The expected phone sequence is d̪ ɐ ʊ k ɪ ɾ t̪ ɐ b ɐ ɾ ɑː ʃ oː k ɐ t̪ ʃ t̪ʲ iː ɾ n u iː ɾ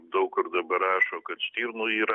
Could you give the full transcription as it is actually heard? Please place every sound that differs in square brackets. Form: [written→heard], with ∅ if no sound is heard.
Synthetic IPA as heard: d̪ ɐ ʊ k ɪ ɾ [t̪→d̪] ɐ b ɐ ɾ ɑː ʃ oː k ɐ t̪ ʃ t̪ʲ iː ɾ n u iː ɾ